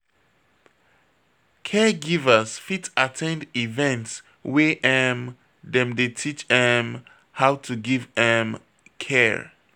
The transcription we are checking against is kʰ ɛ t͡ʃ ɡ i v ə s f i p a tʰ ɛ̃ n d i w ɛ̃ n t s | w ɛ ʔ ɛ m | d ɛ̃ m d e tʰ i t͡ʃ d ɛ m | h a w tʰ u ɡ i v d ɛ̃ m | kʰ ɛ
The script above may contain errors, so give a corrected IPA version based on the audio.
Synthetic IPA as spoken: kʰ ɛ ɡ i v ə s f i t a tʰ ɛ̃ n d i v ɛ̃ n t s | w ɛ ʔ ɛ m | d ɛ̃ m d e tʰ i t͡ʃ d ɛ m | h a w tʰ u ɡ i v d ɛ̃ m | kʰ ɛ